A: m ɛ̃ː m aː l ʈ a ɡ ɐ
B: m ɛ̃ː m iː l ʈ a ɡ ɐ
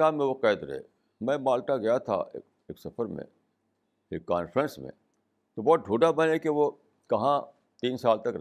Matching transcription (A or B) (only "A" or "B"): A